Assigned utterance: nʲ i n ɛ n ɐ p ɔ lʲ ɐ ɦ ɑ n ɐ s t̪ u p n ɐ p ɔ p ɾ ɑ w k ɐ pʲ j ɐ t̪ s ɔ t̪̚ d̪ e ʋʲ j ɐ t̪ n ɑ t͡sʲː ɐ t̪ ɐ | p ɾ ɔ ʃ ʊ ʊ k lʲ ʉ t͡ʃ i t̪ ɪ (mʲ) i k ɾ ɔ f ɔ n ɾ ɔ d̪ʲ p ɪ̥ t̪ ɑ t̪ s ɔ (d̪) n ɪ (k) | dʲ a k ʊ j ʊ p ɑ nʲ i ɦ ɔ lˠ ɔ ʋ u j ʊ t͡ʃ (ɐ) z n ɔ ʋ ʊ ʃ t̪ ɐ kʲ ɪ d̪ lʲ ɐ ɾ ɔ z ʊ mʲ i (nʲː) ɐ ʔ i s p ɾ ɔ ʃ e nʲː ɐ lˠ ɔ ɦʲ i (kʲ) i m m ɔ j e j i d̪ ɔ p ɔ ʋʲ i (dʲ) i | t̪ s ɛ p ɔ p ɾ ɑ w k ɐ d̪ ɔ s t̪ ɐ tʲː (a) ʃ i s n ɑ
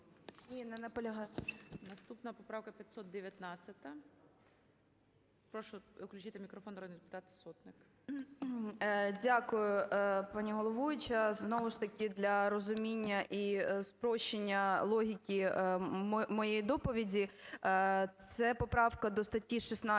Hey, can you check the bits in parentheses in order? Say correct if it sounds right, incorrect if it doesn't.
correct, incorrect: t̪, correct, correct, correct, correct, correct, incorrect: i

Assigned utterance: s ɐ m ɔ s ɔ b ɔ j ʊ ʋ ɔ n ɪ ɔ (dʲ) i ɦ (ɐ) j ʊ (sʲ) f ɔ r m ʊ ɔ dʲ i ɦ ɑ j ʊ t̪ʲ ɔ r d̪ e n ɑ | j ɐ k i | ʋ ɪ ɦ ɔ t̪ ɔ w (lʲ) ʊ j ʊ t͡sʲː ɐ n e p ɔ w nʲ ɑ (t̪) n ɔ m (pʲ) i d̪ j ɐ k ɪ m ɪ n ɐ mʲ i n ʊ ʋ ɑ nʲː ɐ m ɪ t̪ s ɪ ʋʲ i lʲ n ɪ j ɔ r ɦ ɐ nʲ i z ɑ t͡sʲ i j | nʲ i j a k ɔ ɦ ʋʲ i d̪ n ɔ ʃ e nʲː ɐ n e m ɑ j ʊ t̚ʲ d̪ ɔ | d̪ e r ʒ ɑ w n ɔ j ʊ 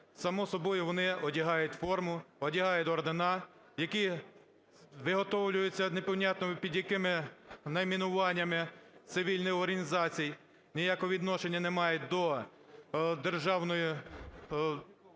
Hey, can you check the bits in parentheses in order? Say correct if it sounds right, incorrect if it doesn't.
correct, incorrect: ɑ, incorrect: tʲ, correct, correct, correct

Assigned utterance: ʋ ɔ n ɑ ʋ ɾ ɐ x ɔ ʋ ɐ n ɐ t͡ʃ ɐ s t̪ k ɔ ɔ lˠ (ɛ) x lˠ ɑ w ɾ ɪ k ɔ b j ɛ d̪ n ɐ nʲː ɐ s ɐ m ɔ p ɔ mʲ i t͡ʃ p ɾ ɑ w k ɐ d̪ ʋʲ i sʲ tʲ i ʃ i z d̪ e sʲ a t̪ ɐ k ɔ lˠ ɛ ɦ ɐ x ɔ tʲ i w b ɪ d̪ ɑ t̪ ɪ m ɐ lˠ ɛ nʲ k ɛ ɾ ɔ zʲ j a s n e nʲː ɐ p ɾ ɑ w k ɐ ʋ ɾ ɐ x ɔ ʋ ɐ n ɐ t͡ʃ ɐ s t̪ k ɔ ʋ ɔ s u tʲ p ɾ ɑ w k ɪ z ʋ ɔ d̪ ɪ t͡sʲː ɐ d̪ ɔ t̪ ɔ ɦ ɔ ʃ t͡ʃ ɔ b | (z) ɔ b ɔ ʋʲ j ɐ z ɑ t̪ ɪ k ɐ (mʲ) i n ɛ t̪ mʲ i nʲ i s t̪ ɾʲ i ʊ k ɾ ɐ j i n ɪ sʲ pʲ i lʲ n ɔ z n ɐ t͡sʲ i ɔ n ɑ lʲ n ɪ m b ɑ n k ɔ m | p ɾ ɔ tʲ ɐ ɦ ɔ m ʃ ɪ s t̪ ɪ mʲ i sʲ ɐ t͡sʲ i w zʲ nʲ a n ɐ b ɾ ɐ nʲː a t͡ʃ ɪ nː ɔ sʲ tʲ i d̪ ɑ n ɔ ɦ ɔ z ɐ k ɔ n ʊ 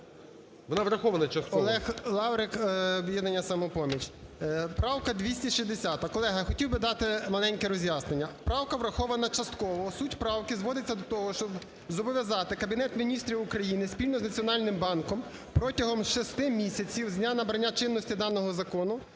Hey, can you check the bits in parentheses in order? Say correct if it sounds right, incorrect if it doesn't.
correct, correct, incorrect: bʲ

